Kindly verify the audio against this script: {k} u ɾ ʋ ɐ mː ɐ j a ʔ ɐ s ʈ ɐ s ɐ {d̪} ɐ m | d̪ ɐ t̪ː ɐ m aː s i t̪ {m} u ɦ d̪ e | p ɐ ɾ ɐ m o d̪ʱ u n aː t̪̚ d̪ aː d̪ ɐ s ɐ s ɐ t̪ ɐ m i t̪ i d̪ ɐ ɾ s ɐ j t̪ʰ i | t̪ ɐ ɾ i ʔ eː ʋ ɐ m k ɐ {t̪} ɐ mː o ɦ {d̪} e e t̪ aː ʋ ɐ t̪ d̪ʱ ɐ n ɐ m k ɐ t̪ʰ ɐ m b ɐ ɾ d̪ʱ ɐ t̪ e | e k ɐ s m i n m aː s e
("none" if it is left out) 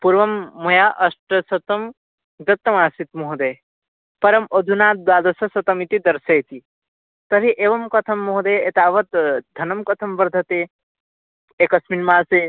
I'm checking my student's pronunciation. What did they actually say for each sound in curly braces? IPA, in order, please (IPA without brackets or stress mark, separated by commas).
p, t̪, m, t̪ʰ, d̪